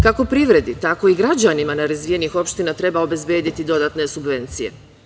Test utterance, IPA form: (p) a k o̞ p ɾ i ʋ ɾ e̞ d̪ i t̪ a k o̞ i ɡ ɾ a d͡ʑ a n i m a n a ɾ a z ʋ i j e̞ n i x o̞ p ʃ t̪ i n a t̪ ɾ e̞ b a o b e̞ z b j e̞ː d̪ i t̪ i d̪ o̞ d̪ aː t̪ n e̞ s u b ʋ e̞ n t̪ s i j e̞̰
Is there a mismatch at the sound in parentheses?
yes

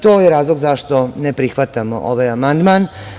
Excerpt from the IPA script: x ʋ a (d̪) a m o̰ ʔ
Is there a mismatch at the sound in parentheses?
yes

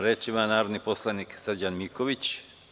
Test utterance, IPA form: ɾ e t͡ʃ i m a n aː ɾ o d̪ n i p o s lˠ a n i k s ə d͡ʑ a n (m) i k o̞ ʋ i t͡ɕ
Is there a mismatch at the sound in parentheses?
no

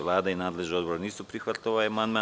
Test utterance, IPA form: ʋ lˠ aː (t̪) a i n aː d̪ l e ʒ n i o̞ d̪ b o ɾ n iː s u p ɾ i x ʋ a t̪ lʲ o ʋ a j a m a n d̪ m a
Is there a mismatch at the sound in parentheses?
yes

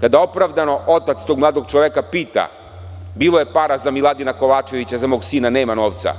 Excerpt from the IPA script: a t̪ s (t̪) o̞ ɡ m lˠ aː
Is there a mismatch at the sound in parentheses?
no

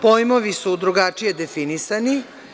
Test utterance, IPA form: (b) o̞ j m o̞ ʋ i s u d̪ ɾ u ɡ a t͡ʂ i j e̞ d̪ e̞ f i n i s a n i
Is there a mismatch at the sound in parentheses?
yes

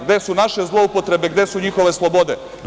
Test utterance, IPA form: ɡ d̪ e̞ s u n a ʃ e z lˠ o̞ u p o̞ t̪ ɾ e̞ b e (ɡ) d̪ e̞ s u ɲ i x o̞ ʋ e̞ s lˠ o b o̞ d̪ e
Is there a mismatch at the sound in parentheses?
no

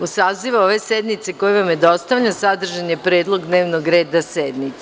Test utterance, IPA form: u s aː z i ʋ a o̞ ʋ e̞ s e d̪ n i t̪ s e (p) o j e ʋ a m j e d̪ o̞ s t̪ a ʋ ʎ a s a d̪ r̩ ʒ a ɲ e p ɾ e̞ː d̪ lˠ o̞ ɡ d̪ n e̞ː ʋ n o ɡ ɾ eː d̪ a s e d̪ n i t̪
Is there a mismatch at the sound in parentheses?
yes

